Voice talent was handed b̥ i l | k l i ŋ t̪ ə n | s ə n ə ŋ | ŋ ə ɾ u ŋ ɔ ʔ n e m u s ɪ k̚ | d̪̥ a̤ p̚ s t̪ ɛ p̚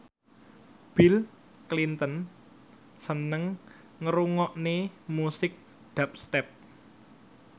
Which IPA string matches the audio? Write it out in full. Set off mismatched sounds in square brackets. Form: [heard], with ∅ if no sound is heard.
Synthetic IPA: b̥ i l | k l i [n] t̪ ə n | s ə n ə ŋ | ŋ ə ɾ u ŋ ɔ ʔ n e m u s ɪ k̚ | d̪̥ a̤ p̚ s t̪ ɛ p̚